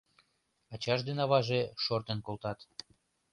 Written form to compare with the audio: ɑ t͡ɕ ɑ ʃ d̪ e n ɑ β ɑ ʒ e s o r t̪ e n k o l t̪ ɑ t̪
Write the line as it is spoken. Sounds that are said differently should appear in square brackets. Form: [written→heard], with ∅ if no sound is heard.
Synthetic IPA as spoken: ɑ t͡ɕ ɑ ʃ d̪ e n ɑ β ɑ ʒ e [s→ʃ] o r t̪ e n k o l t̪ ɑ t̪

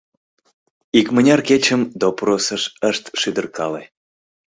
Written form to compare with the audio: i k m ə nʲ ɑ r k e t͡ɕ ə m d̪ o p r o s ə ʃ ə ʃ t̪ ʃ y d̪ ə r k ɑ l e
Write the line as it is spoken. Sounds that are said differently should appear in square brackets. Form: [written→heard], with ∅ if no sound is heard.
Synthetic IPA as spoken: i k m ə nʲ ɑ r k e t͡ɕ ə m d̪ o p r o s ə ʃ ə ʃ t̪ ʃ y d̪ ə r k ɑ l e

